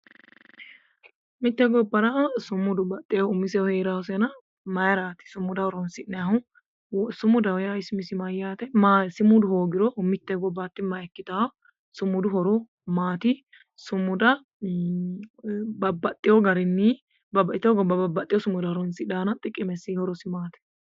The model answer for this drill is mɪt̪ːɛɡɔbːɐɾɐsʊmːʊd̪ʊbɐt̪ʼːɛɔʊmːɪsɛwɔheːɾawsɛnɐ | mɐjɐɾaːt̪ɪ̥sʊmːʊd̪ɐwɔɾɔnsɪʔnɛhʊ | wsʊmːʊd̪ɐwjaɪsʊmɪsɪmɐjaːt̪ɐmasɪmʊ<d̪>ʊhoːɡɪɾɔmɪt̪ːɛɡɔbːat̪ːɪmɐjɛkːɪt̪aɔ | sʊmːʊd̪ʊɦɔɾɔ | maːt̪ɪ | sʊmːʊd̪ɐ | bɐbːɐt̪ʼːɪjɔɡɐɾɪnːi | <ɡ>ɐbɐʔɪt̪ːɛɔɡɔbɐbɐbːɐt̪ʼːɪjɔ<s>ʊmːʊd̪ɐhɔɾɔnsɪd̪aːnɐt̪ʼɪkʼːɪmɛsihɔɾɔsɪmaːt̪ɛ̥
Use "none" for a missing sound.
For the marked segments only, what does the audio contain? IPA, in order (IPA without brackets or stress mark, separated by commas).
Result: d̪, b, s